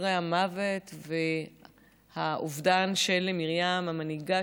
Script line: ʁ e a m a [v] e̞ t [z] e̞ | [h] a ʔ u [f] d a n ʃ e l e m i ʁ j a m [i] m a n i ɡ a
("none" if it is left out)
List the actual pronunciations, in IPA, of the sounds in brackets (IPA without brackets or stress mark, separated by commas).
v, v, h, v, a